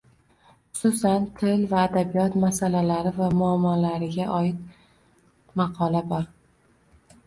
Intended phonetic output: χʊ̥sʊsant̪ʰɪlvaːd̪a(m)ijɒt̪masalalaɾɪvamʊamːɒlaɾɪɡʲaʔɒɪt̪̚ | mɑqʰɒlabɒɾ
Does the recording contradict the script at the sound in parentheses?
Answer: yes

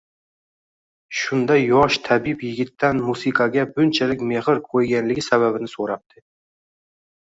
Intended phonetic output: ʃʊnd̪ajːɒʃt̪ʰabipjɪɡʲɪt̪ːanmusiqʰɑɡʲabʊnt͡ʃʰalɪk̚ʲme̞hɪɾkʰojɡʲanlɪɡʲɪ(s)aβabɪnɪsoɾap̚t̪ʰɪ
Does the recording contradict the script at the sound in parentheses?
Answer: no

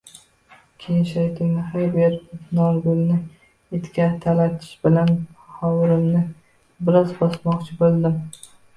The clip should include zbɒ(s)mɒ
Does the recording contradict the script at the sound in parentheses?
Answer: no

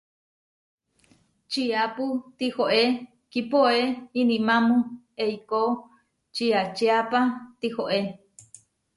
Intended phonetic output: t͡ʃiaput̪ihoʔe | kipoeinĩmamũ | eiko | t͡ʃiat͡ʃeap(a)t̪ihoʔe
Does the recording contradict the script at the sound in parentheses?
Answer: no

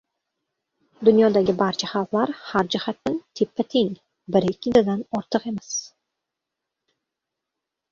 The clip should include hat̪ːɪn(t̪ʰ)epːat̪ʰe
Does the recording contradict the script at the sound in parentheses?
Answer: no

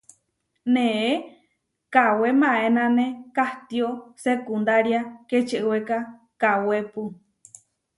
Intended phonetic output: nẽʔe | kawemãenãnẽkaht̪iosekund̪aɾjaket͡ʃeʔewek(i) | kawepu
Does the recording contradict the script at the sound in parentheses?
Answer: yes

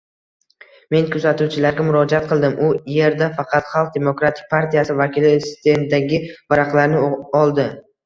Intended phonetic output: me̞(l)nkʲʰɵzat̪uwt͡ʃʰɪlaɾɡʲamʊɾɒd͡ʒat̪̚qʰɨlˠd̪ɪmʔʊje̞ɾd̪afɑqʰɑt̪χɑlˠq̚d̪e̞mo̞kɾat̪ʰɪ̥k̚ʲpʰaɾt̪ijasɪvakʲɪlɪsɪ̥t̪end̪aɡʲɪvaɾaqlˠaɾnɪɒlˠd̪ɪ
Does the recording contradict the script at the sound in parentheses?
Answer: yes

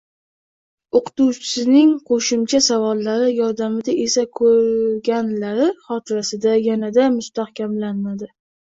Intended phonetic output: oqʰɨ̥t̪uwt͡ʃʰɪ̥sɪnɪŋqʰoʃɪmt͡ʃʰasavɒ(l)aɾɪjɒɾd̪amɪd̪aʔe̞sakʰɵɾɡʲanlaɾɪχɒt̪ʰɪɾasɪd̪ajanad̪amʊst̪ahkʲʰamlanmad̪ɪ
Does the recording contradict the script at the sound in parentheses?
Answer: yes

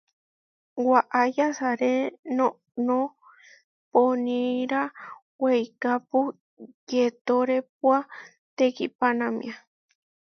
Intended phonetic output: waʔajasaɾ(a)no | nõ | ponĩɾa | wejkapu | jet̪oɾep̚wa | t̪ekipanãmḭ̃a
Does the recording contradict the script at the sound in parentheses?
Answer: yes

